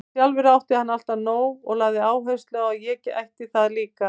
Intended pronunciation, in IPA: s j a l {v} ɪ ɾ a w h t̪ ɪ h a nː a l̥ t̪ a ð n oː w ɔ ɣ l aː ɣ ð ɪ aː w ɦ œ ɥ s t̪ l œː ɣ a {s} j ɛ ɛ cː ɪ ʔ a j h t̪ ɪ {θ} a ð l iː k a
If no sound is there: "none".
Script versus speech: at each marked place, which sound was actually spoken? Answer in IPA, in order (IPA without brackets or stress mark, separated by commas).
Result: v, none, θ